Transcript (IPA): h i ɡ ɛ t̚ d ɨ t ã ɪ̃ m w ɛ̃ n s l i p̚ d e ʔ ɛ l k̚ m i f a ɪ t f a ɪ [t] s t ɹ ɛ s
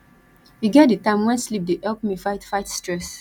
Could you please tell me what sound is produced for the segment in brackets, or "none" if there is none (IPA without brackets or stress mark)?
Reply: t